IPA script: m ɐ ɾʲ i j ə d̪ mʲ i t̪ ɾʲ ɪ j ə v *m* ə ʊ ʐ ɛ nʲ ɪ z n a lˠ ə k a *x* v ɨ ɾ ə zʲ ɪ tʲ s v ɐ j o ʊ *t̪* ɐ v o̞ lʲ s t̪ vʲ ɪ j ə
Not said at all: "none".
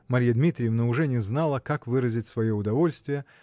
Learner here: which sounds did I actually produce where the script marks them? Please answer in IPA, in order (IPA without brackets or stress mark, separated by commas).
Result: n, k, d̪